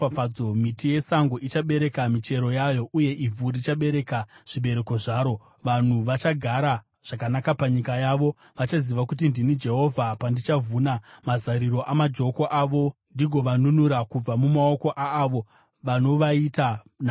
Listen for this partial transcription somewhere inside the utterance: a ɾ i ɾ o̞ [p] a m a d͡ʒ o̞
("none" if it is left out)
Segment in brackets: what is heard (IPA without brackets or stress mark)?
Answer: ʔ